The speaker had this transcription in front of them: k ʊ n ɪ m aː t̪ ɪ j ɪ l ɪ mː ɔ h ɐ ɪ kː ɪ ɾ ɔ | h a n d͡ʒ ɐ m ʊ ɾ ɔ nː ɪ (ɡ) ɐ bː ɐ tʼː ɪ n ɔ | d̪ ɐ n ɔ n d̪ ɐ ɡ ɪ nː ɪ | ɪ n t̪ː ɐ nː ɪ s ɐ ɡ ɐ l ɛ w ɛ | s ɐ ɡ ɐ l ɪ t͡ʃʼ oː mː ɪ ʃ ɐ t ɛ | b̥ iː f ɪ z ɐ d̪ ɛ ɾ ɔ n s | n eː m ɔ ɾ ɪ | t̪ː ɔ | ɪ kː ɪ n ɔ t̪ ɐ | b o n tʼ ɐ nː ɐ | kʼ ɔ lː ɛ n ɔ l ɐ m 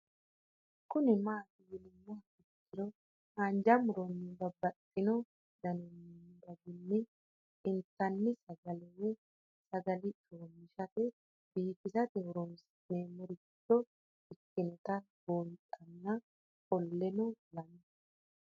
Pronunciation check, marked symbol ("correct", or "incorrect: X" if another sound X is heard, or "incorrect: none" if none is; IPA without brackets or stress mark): incorrect: b